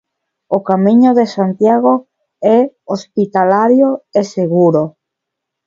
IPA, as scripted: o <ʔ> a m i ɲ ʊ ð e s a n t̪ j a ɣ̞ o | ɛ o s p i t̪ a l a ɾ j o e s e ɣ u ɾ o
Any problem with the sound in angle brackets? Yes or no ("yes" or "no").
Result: yes